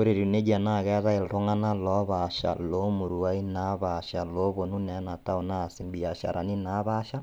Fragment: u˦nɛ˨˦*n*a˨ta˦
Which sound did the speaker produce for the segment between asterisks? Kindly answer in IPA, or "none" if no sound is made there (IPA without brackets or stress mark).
n